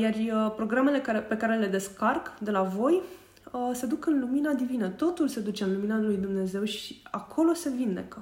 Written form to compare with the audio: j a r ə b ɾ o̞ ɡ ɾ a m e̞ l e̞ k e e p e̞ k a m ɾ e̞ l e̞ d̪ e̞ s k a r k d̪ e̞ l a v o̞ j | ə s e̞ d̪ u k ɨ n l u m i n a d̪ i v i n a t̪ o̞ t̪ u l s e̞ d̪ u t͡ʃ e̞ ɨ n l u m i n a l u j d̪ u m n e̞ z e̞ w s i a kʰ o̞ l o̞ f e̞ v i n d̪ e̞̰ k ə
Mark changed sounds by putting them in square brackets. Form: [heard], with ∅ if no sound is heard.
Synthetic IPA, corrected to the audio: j a r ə [p] ɾ o̞ ɡ ɾ a m e̞ l e̞ k [a] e p e̞ k a [∅] ɾ e̞ l e̞ d̪ e̞ s k a r k d̪ e̞ l a v o̞ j | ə s e̞ d̪ u k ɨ n l u m i n a d̪ i v i n [ə] t̪ o̞ t̪ u l s e̞ d̪ u t͡ʃ e̞ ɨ n l u m i n a l u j d̪ u m n e̞ z e̞ w [ʃ] i a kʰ o̞ l o̞ [s] e̞ v i n d̪ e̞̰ k ə